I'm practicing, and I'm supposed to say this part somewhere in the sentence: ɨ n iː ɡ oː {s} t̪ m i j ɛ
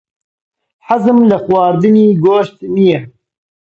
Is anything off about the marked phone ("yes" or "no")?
yes